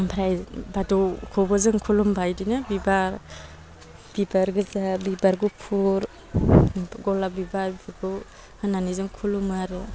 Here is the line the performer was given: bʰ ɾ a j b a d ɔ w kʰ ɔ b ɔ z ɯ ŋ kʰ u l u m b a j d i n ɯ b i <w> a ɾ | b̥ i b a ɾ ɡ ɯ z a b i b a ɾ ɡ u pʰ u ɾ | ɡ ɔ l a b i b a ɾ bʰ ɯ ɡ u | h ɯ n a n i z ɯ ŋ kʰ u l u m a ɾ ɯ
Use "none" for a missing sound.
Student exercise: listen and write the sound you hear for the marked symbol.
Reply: b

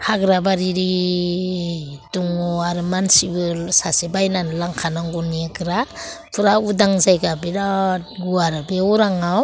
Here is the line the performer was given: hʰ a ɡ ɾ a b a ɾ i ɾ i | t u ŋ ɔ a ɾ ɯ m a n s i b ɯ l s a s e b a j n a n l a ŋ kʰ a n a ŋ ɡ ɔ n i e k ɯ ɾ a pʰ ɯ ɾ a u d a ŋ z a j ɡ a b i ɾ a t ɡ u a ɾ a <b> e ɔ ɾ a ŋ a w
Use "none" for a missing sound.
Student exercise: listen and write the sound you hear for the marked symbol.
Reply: b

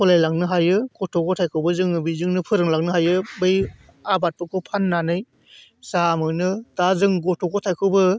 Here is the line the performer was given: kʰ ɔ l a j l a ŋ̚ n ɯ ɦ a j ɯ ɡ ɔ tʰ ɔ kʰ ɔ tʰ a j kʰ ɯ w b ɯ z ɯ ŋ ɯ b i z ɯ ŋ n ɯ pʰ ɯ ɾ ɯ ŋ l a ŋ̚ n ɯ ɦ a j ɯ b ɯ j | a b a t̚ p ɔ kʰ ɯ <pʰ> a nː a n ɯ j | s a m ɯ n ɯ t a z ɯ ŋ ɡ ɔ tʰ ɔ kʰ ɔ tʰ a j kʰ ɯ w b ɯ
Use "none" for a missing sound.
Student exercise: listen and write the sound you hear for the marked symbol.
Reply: pʰ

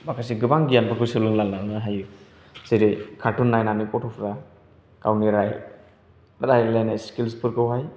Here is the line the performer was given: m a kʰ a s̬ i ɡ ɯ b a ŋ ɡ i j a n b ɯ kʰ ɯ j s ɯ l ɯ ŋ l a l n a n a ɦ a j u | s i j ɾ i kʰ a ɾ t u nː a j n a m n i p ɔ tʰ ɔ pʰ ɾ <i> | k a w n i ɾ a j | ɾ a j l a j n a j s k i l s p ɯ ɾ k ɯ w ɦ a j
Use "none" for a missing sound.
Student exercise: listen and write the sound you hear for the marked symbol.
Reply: a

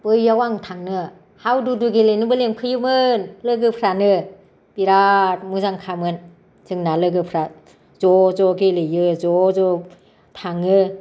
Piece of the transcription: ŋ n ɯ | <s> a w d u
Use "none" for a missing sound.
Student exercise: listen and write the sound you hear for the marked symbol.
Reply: h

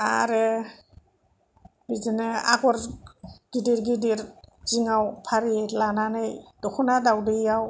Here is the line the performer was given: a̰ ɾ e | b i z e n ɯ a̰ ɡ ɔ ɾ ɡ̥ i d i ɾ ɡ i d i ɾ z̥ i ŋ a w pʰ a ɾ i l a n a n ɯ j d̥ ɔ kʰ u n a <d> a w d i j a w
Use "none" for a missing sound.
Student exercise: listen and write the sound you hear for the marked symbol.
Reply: d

